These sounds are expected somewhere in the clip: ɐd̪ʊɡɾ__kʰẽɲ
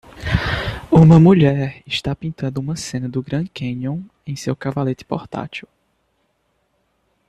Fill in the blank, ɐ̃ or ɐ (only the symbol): ɐ̃